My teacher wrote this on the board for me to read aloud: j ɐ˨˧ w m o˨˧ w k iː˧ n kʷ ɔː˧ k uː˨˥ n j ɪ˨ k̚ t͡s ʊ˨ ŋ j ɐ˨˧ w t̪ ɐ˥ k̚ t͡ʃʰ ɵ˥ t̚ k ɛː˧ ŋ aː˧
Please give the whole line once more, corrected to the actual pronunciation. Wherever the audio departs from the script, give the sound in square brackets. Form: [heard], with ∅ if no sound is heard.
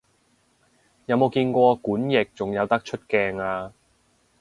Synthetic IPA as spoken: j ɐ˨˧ w m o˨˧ w k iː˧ n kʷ ɔː˧ k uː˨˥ n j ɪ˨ k̚ t͡s ʊ˨ ŋ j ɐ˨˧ w t̪ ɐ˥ k̚ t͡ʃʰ ɵ˥ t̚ k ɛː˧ ŋ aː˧